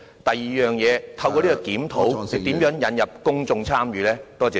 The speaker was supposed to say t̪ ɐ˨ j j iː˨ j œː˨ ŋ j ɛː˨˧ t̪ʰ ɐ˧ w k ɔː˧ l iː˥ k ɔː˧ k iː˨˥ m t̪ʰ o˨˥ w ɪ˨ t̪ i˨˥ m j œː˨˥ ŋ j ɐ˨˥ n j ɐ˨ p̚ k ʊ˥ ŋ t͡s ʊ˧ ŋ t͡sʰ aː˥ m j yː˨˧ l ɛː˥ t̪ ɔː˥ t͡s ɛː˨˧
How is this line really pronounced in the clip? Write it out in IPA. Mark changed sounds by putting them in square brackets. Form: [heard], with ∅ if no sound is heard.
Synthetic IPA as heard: t̪ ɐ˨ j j iː˨ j œː˨ ŋ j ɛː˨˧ t̪ʰ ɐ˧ w k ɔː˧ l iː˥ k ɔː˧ k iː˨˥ m t̪ʰ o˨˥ w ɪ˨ t̪ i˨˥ m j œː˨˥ ŋ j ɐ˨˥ n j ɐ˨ p̚ k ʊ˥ ŋ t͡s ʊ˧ ŋ t͡sʰ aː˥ m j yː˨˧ l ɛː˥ t̪ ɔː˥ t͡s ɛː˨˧

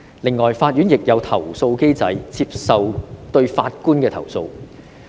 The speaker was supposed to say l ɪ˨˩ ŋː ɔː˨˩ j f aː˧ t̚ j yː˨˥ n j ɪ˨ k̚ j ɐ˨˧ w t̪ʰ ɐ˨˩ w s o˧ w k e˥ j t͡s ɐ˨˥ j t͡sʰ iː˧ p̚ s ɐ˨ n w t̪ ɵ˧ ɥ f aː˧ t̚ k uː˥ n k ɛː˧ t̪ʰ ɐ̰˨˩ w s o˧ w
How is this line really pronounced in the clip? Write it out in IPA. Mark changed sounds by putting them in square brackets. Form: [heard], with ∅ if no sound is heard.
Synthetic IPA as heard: l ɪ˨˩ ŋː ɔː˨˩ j f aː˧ t̚ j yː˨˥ n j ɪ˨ k̚ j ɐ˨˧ w t̪ʰ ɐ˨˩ w s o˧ w k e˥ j t͡s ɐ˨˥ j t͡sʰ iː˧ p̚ s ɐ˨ [∅] w t̪ ɵ˧ ɥ f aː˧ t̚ k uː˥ n k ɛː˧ t̪ʰ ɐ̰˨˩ w s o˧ w

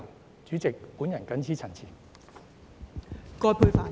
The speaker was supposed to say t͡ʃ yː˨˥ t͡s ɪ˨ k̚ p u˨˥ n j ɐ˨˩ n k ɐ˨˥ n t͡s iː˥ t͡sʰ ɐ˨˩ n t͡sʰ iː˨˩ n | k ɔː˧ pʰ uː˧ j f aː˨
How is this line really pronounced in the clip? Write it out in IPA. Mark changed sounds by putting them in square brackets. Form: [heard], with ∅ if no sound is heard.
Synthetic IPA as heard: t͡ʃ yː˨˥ t͡s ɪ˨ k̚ p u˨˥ n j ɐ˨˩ n k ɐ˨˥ n [t͡sʰ] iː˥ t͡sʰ ɐ˨˩ n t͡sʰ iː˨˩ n | k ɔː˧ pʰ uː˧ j f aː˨

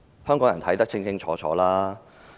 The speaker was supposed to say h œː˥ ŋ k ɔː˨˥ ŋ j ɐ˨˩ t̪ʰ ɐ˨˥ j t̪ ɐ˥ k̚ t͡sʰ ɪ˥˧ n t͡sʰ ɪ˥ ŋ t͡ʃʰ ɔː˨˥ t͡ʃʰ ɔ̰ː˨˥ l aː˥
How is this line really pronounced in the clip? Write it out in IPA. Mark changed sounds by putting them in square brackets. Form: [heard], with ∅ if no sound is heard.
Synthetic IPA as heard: h œː˥ ŋ k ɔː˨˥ ŋ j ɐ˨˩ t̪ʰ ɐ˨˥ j t̪ ɐ˥ k̚ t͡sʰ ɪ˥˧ [ŋ] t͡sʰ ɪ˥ ŋ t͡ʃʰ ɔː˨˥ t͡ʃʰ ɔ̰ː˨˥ l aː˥

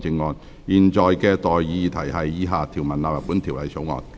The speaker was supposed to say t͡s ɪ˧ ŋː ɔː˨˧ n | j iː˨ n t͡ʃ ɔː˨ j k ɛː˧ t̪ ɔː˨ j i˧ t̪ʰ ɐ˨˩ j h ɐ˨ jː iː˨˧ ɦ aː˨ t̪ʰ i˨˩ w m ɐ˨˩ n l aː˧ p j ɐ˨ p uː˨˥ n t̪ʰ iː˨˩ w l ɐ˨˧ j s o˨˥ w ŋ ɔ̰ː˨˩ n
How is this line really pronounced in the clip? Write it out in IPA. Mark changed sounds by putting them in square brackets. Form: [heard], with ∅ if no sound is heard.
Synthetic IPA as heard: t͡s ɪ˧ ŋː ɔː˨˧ n | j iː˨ n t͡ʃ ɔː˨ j k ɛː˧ t̪ ɔː˨ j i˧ t̪ʰ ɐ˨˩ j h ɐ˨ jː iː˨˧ ɦ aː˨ t̪ʰ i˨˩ w m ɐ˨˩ n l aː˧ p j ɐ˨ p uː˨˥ n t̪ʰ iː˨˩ w l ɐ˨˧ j s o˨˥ w ŋ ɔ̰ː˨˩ n

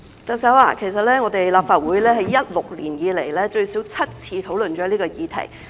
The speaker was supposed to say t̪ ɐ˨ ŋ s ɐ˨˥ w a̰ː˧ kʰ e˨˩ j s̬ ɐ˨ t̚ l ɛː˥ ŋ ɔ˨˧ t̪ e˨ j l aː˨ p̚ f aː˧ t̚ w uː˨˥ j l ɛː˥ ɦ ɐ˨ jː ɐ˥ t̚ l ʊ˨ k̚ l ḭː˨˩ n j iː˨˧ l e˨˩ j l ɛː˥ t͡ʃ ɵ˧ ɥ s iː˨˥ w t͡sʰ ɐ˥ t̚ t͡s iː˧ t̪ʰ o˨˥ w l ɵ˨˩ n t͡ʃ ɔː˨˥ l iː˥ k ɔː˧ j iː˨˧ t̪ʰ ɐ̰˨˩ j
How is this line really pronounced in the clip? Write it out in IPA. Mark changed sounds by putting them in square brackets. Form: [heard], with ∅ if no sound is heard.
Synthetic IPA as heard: t̪ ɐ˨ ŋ s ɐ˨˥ w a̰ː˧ kʰ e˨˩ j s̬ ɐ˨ t̚ l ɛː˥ ŋ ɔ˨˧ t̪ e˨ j l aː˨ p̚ f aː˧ t̚ w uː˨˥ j l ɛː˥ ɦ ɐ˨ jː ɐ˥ t̚ l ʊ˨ k̚ l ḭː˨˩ n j iː˨˧ l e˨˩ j l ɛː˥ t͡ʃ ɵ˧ ɥ s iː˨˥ w t͡sʰ ɐ˥ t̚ [t͡sʰ] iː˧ t̪ʰ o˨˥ w l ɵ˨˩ n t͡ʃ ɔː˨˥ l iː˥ k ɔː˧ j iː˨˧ t̪ʰ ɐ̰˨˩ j

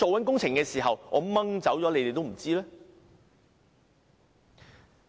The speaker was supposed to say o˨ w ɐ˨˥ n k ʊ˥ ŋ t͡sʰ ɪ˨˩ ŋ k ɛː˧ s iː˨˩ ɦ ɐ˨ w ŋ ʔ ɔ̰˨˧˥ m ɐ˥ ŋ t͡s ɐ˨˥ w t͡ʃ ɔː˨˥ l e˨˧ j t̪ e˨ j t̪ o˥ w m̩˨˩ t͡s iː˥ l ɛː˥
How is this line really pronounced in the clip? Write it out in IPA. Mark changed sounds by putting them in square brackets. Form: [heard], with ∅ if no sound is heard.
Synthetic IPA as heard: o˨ w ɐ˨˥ n k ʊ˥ ŋ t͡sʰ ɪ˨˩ ŋ k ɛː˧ s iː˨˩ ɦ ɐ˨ w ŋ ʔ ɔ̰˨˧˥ m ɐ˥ ŋ t͡s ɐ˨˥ w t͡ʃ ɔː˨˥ l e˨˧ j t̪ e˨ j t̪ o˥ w m̩˨˩ t͡s iː˥ l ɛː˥

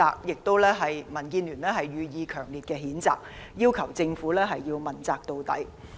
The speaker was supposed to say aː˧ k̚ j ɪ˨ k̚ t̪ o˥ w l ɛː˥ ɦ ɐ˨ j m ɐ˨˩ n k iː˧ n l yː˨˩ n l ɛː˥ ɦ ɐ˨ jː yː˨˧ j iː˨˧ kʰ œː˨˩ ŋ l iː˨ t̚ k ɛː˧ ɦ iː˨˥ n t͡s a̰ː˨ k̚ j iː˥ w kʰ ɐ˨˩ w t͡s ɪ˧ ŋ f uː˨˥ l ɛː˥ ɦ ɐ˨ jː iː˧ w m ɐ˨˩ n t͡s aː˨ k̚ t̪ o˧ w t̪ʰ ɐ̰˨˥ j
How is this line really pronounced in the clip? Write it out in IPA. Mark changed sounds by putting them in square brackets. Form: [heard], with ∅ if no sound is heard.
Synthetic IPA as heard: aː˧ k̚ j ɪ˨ k̚ t̪ o˥ w l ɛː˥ ɦ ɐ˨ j m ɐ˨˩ n k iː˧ n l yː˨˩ n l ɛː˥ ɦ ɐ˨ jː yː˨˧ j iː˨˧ kʰ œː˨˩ ŋ l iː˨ t̚ k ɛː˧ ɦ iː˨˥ n t͡s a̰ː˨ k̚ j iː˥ w kʰ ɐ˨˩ w t͡s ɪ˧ ŋ f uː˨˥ l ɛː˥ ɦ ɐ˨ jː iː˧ w m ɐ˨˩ n t͡s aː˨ k̚ t̪ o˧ w [t̪] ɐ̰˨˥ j

